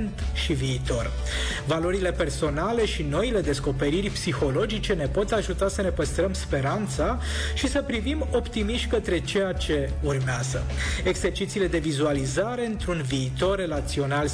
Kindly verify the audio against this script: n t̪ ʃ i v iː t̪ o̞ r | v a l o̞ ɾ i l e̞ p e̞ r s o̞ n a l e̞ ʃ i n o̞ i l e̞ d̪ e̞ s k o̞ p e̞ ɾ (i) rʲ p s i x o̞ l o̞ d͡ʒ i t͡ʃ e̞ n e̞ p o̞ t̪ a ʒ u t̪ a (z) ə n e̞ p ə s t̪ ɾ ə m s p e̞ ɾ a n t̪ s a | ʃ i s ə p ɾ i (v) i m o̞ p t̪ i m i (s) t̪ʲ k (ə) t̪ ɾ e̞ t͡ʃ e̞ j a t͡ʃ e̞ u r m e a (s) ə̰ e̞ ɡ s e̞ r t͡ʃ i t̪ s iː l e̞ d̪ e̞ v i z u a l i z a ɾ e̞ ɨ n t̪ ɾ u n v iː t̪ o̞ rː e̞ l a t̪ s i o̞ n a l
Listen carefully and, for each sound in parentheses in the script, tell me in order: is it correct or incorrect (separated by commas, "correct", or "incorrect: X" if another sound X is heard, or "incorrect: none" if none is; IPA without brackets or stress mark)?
correct, incorrect: s, correct, incorrect: ʃ, correct, incorrect: z